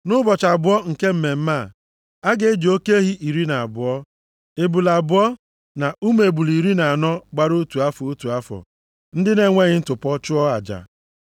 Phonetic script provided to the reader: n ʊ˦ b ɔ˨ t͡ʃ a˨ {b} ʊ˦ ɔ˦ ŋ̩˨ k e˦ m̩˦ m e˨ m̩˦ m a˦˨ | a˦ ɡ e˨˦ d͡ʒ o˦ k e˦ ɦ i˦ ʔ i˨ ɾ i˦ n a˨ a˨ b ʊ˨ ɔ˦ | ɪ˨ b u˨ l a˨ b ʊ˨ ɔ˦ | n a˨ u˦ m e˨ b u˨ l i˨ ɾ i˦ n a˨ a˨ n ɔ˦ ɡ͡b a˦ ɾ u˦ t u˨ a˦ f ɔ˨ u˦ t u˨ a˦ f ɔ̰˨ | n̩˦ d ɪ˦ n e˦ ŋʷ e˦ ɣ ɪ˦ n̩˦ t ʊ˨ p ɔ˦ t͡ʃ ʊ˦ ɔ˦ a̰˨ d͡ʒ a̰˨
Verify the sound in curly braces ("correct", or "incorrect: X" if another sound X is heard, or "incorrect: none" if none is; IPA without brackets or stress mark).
correct